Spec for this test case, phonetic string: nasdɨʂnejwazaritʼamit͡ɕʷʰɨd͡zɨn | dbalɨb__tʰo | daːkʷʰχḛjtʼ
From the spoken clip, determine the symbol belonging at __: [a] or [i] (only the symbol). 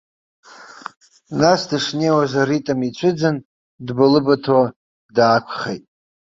a